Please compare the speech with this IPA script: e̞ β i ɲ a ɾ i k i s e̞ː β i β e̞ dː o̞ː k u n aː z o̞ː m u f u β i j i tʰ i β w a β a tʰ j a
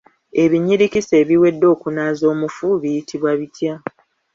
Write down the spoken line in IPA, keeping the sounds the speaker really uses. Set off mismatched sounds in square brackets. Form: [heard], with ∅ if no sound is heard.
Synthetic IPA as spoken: e̞ β i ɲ [i] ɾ i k i s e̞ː β i [w] e̞ dː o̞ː k u n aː z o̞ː m u f u β i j i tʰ i β w a β [i] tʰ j a